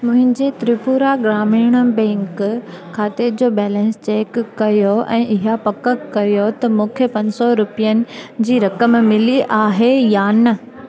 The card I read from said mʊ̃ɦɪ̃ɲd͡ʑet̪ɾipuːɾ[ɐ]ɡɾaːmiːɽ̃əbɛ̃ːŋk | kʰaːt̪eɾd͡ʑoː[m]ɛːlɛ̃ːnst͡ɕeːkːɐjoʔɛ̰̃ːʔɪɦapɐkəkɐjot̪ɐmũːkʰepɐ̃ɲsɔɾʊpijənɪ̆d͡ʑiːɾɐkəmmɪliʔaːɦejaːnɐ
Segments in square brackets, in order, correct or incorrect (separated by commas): incorrect, incorrect